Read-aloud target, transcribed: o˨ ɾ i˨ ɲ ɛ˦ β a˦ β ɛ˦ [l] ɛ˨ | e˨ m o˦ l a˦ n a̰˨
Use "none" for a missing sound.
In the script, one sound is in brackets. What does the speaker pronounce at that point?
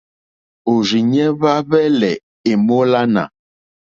l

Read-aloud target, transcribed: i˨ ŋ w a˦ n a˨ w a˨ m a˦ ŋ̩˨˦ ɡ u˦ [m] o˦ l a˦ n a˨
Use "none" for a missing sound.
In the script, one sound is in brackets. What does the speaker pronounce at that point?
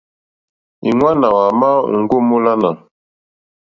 m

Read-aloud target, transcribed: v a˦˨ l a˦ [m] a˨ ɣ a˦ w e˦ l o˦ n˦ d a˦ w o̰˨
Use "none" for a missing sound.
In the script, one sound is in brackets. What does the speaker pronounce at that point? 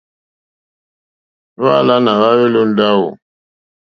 n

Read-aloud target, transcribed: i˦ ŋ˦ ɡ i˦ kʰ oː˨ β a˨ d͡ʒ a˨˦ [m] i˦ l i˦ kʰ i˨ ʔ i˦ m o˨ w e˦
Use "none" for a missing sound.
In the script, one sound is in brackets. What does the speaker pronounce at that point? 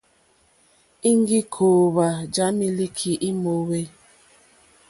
m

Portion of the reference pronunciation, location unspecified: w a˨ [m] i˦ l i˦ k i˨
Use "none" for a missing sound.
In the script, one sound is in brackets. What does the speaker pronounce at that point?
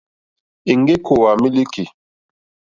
m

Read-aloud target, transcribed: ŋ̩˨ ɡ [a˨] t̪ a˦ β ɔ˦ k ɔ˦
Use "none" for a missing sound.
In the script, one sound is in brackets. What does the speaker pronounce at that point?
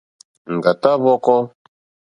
a˨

